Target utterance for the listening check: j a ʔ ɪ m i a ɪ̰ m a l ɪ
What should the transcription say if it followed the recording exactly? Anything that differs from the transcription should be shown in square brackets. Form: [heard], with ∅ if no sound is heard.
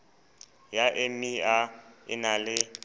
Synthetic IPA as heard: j a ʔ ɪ m i a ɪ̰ [n] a l ɪ